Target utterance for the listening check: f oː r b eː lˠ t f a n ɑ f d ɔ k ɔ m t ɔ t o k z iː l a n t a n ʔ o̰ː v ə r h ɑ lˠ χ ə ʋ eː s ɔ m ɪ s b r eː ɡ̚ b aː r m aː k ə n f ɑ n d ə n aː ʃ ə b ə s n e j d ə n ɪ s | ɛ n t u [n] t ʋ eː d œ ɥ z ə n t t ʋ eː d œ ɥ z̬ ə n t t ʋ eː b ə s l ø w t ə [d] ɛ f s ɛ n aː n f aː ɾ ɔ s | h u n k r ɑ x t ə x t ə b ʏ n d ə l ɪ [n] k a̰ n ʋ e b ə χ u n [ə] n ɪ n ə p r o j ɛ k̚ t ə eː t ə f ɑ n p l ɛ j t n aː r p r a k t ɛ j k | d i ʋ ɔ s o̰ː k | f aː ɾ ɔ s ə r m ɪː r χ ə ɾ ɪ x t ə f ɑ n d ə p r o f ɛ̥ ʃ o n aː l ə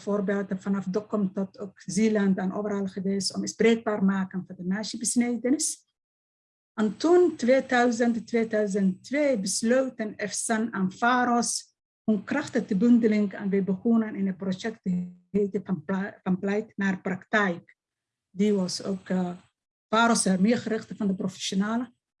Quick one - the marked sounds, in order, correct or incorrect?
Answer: correct, incorrect: n, incorrect: ŋ, correct

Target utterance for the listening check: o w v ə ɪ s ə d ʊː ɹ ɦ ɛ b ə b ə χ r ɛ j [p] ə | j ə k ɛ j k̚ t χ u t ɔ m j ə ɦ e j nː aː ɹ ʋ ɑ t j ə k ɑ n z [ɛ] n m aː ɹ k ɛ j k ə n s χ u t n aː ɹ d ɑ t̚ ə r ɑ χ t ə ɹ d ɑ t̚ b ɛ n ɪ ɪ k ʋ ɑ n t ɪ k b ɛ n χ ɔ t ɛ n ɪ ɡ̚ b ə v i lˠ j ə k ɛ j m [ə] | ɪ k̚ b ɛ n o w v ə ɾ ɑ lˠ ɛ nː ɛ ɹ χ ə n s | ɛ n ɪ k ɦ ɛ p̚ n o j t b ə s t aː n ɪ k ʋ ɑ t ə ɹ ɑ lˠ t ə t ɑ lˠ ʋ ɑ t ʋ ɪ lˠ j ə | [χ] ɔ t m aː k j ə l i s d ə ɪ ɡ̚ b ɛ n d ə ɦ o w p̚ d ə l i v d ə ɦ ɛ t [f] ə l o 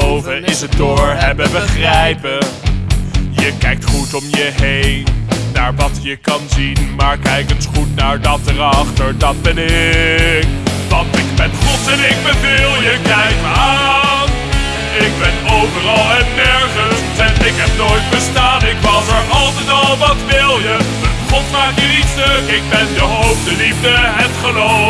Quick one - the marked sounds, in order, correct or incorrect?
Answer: correct, incorrect: i, incorrect: a, correct, incorrect: χ

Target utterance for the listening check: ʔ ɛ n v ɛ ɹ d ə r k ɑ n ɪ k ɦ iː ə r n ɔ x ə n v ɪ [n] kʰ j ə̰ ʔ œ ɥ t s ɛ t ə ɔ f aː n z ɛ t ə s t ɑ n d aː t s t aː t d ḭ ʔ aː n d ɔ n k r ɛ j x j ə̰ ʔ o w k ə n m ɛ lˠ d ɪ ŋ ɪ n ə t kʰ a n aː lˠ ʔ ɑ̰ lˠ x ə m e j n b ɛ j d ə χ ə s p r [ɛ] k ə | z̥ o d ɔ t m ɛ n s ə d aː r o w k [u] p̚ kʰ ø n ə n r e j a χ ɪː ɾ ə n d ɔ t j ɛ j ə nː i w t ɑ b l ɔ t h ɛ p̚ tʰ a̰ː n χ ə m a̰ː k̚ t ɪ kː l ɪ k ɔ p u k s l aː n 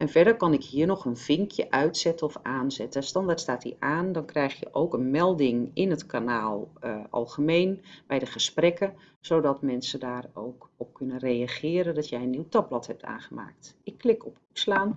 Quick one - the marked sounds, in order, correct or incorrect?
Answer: incorrect: ŋ, correct, incorrect: ɔ

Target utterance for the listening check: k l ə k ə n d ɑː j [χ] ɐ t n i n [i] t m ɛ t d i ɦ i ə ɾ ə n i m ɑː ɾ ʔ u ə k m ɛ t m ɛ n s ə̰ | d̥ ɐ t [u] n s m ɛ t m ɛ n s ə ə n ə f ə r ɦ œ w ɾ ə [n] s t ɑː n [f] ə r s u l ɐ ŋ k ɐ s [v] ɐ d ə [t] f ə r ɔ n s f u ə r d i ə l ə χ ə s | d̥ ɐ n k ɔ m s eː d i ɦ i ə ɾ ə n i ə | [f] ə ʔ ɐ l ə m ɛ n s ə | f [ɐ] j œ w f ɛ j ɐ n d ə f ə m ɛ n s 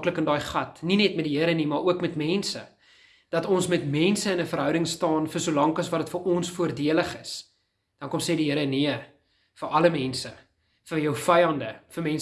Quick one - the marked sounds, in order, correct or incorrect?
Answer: correct, incorrect: ɛ, incorrect: ɔ, incorrect: ŋ, correct, correct, correct, correct, incorrect: ə

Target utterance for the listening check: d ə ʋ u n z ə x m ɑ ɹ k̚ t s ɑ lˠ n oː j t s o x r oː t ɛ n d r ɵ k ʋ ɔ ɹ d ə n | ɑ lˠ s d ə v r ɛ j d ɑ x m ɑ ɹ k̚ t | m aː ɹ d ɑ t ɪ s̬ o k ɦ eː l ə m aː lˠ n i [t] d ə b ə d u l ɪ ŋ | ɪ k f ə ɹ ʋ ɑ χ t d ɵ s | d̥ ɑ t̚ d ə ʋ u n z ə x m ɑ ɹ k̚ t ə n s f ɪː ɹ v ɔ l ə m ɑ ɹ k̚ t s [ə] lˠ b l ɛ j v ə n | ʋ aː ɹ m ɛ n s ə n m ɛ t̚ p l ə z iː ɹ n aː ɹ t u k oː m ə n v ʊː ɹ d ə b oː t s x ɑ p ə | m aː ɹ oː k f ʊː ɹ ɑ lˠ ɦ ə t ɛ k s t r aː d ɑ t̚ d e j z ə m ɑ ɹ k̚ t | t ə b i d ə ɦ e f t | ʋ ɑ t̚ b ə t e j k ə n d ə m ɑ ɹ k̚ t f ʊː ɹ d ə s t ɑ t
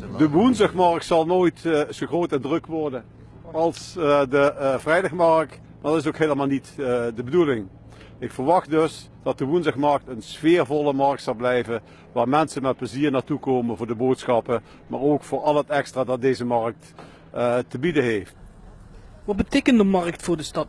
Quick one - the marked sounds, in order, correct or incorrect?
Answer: correct, incorrect: ɑ

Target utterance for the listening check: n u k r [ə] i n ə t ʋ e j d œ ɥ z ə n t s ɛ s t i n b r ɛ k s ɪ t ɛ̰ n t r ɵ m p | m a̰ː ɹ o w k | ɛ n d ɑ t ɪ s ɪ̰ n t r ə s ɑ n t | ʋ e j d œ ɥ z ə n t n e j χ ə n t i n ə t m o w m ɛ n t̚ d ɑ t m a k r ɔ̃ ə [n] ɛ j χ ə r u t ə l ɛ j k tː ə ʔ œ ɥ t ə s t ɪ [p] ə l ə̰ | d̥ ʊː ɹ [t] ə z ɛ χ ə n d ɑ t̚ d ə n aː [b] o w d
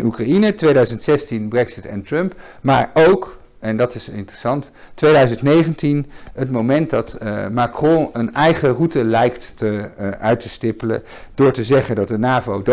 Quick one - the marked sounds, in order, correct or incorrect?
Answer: incorrect: a, correct, correct, correct, incorrect: v

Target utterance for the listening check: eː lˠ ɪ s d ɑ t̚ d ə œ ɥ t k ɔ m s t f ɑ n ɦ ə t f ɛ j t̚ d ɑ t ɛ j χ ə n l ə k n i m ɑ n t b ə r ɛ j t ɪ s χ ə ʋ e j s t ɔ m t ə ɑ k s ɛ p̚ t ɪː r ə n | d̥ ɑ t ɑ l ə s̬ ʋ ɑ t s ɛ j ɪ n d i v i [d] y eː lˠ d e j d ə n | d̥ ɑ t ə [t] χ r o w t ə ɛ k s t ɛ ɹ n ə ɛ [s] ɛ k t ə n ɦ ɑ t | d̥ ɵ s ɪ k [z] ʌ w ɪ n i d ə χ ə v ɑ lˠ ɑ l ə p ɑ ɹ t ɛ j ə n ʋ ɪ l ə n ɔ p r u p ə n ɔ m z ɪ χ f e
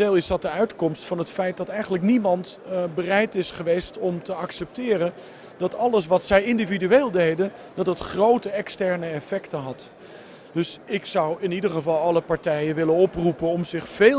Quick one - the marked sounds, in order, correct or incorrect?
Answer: correct, correct, incorrect: f, incorrect: s

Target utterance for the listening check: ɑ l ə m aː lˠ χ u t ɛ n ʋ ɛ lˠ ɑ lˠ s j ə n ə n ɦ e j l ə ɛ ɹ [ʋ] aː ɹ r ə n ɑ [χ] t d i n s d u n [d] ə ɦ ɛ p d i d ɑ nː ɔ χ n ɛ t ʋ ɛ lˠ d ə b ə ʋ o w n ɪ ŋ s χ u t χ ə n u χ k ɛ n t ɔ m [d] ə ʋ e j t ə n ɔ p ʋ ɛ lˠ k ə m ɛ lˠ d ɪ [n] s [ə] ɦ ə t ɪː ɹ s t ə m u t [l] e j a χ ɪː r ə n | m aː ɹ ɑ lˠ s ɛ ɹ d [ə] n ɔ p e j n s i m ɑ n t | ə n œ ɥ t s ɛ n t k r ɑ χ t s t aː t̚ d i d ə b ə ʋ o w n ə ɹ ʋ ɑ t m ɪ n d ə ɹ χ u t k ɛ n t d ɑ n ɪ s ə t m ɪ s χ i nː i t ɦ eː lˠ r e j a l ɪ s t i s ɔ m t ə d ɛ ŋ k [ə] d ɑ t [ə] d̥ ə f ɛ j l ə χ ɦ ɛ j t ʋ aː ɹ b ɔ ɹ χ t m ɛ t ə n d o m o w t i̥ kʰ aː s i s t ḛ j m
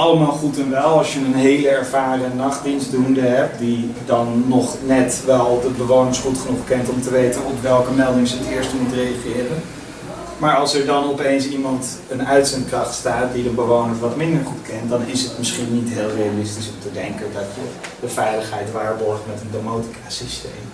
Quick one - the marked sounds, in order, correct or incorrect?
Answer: incorrect: v, correct, correct, incorrect: t, incorrect: ŋ, correct, incorrect: r, incorrect: ɑ, correct, correct

